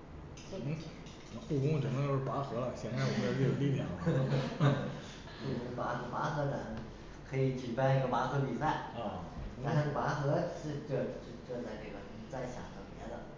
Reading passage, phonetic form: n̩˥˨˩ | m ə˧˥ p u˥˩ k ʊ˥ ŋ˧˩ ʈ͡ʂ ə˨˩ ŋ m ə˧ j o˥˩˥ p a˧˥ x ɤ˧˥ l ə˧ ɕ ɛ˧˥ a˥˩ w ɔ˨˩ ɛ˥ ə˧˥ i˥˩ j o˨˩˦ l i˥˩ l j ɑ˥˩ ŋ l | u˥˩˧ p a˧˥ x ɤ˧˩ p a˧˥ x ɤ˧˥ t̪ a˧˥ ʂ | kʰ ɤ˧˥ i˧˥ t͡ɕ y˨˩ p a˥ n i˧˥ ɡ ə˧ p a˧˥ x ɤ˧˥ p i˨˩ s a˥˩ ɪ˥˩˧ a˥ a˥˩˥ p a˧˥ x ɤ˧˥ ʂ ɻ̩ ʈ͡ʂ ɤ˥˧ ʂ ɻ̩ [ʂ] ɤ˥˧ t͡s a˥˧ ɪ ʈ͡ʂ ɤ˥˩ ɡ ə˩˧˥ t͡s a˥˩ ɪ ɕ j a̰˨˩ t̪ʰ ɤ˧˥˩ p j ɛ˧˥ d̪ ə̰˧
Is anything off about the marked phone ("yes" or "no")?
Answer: yes